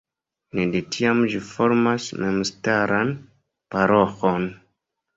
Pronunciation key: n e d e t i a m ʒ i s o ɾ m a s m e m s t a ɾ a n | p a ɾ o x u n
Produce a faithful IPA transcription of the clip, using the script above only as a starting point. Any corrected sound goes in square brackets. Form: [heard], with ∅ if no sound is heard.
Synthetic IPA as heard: n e d e t i a m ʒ i [f] o ɾ m a s m e m s t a ɾ a n | p a ɾ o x [o] n